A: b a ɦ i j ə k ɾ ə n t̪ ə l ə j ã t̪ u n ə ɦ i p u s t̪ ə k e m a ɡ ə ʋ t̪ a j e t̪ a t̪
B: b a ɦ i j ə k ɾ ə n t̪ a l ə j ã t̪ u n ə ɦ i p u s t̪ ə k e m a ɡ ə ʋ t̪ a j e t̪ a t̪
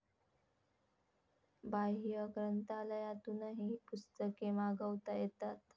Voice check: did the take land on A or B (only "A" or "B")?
B